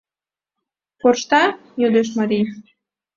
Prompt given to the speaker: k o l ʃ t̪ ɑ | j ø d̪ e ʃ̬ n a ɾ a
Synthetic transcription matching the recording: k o r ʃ t̪ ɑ | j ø d̪ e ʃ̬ m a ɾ i

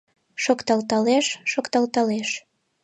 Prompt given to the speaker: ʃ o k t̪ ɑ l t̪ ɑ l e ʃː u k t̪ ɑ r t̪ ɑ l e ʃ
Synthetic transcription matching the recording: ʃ o k t̪ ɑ l t̪ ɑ l e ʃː o k t̪ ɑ l t̪ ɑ l e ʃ

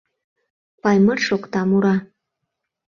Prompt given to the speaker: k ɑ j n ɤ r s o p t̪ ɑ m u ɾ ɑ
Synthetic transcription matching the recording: p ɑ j m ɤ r ʃ o k t̪ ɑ m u ɾ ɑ

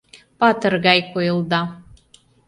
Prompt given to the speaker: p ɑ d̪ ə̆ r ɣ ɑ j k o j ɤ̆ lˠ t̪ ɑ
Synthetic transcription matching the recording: p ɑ t̪ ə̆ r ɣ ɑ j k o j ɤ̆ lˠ d̪ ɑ

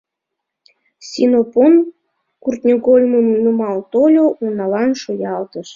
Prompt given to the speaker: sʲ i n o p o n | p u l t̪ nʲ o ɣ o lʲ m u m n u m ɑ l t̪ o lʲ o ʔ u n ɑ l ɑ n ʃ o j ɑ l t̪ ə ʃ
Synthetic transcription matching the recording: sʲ i n o p o n | k u r t̪ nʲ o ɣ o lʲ m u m n u m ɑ l t̪ o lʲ o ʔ u n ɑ l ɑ n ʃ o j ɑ l t̪ ə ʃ

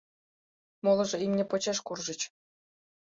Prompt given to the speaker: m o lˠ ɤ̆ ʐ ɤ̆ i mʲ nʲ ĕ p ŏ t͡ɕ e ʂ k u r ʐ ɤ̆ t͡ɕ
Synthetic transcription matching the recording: m o lˠ ɤ̆ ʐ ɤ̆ i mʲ nʲ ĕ p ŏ t͡ɕ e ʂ k u r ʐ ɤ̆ t͡ɕ

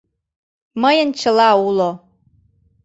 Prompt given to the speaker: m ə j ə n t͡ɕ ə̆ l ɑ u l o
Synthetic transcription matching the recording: m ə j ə n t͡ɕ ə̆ l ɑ u l o

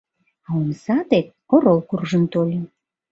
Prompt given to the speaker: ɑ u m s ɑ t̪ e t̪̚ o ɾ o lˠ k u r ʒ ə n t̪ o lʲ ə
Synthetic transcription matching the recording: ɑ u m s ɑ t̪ e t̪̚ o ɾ o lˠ k u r ʒ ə n t̪ o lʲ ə

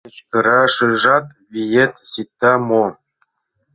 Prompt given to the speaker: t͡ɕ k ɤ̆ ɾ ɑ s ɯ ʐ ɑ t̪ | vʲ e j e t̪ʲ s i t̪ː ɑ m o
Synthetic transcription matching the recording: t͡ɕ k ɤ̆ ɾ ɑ ʂ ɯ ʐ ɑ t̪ | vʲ i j e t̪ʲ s i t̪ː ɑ m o

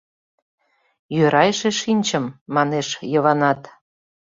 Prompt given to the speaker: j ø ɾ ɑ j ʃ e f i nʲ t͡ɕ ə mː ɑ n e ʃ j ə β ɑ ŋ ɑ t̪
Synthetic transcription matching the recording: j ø ɾ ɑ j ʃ e ʃ i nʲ t͡ɕ ə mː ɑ n e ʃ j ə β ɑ n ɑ t̪

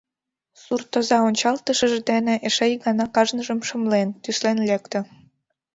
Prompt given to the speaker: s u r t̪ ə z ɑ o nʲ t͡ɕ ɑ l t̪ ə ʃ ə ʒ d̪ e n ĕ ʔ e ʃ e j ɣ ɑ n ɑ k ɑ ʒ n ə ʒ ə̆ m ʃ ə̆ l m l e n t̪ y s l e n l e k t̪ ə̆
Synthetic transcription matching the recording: s u r t̪ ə z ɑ o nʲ t͡ɕ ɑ l t̪ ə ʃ ə ʒ d̪ e n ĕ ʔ e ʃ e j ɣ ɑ n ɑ k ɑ ʒ n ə ʒ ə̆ m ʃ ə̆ m l e n t̪ y s l e n l e k t̪ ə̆

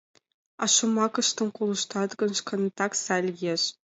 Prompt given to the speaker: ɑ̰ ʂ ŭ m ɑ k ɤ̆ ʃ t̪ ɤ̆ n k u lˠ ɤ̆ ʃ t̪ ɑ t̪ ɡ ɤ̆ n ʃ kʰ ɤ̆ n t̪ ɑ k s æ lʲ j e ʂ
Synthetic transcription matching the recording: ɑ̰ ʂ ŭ m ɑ k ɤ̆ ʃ t̪ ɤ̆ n k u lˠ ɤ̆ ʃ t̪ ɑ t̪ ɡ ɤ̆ n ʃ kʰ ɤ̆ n t̪ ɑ k s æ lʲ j e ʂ

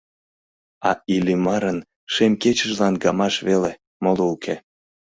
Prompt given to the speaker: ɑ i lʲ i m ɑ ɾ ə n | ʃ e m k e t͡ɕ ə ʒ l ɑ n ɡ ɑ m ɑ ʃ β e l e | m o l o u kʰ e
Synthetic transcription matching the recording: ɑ i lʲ i m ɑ ɾ ə n | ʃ e m k e t͡ɕ ə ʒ l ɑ n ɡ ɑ m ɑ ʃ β e l e | m o l o u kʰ e

